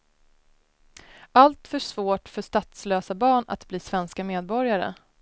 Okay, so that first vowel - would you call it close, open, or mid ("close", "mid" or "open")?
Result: open